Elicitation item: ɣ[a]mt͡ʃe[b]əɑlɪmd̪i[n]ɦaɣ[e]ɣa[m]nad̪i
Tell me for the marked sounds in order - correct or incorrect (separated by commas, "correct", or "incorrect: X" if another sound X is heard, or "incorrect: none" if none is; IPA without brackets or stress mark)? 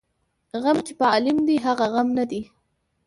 correct, incorrect: p, incorrect: none, incorrect: a, correct